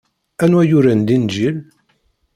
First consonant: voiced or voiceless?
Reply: voiced